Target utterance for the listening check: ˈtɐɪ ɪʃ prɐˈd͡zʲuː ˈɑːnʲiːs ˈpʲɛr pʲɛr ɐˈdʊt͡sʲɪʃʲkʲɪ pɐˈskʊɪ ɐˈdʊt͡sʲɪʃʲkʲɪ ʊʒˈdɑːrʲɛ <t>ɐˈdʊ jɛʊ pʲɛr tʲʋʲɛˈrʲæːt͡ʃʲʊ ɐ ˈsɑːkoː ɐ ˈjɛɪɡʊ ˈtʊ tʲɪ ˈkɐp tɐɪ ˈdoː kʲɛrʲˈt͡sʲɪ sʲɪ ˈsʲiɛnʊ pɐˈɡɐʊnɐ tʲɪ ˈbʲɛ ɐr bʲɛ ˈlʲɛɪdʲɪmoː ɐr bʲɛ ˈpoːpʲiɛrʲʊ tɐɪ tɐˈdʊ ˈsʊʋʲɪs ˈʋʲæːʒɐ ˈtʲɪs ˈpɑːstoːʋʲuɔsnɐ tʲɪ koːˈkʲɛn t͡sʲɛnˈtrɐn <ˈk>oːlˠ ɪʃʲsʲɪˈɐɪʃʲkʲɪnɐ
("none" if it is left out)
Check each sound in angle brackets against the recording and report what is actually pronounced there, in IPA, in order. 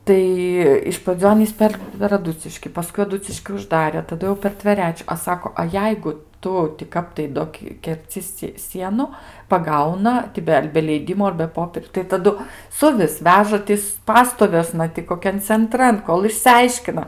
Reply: t, k

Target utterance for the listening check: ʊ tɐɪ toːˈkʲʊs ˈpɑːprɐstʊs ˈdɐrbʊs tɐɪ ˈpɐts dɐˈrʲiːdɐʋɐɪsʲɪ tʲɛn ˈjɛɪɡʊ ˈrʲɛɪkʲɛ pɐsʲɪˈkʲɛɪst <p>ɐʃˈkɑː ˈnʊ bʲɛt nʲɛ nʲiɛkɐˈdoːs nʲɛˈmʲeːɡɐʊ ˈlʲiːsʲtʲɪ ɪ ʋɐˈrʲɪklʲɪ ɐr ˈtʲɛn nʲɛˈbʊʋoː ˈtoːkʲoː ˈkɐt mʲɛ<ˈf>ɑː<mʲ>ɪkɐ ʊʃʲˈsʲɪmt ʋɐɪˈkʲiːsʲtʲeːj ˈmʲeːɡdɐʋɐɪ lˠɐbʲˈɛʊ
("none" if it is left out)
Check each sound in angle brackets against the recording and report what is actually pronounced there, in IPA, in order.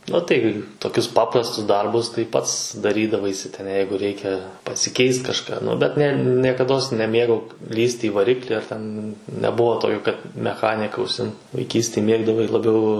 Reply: k, x, nʲ

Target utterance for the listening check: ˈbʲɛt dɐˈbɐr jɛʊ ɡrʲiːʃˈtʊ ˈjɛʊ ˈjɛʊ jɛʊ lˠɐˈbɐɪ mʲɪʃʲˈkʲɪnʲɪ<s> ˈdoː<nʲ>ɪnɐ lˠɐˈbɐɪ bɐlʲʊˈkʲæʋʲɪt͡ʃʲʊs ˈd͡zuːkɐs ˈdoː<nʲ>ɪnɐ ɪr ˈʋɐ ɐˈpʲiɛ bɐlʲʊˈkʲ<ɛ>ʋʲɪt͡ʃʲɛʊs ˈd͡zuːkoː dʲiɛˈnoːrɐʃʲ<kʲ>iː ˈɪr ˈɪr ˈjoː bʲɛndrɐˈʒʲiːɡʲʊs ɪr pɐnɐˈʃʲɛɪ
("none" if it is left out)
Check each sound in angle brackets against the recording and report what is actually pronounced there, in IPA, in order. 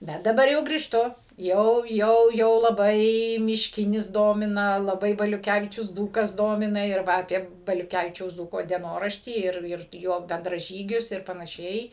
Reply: s, mʲ, mʲ, æ, tʲ

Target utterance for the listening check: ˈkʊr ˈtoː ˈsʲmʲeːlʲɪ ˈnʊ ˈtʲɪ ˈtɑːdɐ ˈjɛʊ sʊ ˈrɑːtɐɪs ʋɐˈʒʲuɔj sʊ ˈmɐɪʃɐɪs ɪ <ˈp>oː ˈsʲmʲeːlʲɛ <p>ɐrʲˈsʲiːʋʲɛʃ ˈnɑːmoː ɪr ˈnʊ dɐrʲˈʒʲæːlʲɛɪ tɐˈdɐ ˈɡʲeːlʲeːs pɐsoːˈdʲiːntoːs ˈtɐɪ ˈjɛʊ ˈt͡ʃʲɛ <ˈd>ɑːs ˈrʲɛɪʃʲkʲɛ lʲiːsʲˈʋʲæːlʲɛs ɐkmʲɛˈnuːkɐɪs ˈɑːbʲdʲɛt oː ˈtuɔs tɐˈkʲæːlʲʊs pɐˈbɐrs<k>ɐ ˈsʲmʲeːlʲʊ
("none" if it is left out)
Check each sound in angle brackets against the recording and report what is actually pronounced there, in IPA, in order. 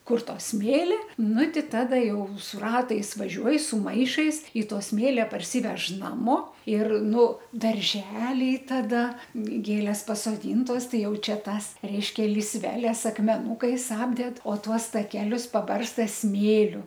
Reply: t, p, t, t

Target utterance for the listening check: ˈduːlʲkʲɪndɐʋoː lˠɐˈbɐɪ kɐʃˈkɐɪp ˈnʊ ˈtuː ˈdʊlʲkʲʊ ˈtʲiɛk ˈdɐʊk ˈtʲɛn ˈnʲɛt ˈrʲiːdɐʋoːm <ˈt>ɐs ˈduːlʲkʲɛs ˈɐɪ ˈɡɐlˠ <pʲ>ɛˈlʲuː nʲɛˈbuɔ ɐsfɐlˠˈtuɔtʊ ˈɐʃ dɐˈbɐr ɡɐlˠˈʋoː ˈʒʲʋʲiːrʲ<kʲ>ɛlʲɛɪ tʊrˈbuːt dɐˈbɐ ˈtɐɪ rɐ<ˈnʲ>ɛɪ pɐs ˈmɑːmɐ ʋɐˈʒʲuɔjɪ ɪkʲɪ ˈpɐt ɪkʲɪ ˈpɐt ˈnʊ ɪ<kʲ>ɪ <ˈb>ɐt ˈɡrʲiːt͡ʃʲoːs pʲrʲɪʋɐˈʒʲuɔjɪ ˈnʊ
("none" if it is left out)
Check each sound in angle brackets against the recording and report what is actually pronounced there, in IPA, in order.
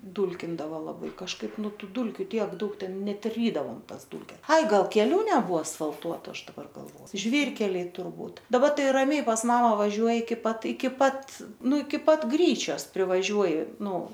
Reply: t, kʲ, kʲ, mʲ, kʲ, p

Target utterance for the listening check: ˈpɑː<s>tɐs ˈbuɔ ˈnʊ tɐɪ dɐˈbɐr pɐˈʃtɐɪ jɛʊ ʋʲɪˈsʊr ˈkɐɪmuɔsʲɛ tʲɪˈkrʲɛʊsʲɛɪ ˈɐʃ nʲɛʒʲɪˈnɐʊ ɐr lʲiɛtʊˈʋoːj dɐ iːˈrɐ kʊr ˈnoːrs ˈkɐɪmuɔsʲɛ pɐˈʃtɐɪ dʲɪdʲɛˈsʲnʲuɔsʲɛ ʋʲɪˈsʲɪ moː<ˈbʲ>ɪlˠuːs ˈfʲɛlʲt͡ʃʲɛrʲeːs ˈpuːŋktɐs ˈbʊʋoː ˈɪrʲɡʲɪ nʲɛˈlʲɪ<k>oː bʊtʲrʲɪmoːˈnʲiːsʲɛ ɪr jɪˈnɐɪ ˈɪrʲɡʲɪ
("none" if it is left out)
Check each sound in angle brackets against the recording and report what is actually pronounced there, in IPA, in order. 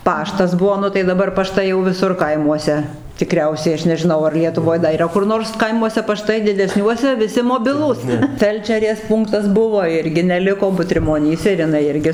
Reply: ʃ, bʲ, k

